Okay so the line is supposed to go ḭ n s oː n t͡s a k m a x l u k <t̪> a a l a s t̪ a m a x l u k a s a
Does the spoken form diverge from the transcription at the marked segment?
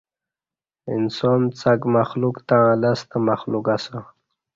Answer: no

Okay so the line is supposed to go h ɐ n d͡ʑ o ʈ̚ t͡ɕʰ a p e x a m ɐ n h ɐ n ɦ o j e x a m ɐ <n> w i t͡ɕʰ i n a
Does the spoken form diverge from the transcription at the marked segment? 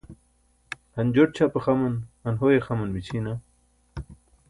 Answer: no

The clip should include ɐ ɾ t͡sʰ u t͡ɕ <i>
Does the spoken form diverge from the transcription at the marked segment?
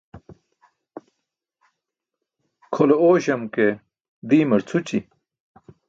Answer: no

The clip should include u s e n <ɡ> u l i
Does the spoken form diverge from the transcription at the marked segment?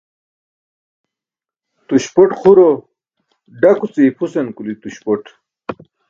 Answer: yes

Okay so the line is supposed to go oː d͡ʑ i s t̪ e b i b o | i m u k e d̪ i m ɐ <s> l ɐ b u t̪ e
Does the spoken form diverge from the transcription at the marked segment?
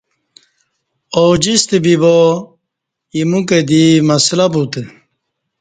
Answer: no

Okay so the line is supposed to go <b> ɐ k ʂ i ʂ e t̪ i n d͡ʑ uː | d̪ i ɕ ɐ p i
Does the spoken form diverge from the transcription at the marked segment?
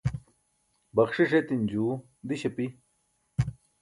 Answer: no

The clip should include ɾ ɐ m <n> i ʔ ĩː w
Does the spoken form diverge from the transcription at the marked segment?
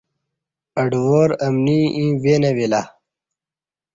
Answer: no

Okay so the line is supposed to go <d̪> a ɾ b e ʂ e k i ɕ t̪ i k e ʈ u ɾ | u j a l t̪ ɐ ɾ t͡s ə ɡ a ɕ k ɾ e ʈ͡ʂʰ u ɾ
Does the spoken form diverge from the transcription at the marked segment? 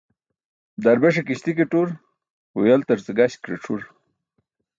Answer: no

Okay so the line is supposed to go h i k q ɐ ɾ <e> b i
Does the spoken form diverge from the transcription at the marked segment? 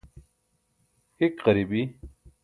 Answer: yes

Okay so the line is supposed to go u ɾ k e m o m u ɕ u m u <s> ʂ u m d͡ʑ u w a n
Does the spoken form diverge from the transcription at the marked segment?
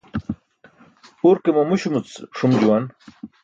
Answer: yes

